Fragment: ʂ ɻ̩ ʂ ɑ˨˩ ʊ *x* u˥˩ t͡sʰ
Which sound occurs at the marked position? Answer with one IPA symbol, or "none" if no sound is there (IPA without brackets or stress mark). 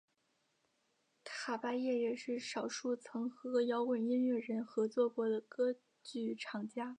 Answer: ʂ